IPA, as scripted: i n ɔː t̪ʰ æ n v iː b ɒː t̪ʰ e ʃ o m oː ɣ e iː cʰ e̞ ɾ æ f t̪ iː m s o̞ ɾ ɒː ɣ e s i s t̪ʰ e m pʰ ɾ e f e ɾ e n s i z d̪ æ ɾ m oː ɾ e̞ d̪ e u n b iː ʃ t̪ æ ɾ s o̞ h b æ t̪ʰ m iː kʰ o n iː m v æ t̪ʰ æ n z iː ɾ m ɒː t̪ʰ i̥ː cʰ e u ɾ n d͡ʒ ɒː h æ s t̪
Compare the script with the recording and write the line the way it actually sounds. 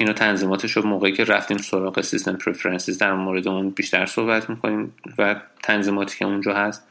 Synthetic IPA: i n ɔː t̪ʰ æ n z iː m ɒː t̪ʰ e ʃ o m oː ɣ e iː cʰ e̞ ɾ æ f t̪ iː m s o̞ ɾ ɒː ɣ e s i s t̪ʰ e m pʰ ɾ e f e ɾ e n s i z d̪ æ ɾ m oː ɾ e̞ d̪ e u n b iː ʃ t̪ æ ɾ s o̞ h b æ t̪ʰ m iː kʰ o n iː m v æ t̪ʰ æ n z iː m ɒː t̪ʰ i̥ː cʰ e u n d͡ʒ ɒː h æ s t̪